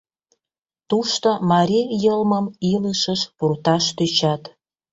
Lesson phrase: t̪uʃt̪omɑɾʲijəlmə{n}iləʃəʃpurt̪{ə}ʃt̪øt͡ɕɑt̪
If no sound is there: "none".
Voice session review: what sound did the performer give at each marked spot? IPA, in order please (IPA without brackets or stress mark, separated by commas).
m, ɑ